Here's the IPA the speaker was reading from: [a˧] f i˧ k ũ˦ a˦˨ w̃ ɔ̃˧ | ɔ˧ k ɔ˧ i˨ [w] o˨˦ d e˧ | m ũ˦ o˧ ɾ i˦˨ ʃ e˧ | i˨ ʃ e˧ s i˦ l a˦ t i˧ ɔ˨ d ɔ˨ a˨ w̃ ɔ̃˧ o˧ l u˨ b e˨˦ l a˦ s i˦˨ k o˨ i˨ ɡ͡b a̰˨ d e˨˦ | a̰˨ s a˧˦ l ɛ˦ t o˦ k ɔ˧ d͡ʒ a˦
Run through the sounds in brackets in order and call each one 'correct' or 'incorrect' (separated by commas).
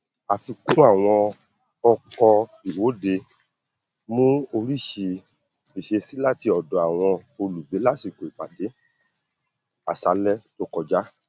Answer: correct, correct